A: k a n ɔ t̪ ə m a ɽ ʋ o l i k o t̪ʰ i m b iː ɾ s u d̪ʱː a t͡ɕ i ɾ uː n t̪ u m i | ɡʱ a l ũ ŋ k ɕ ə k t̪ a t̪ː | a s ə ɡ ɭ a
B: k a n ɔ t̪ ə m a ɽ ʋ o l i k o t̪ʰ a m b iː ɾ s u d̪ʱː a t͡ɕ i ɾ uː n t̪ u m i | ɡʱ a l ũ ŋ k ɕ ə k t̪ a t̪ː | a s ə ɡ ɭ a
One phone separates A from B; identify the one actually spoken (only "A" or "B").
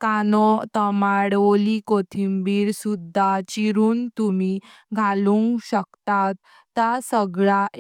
A